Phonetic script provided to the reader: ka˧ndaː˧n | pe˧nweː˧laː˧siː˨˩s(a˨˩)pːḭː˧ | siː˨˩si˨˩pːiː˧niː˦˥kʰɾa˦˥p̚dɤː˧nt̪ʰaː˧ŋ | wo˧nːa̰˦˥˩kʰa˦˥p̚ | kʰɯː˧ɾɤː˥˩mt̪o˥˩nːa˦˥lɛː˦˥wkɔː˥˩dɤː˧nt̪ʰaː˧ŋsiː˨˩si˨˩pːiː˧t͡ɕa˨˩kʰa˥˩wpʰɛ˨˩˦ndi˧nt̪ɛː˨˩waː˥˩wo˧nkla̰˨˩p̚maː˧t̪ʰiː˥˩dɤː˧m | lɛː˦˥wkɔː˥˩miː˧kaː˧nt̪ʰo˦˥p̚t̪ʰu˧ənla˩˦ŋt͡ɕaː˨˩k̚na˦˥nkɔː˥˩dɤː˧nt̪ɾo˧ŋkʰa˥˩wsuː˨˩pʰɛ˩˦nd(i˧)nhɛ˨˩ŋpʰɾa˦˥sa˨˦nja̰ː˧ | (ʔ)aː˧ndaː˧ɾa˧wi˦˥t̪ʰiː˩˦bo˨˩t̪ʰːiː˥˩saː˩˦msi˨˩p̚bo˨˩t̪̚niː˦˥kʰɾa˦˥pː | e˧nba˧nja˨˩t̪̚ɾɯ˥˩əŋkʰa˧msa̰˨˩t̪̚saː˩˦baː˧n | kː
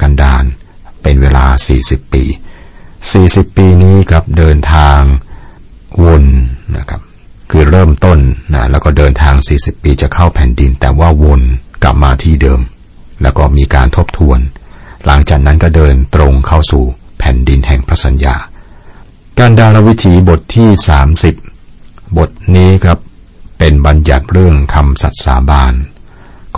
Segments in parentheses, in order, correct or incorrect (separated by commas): incorrect, correct, incorrect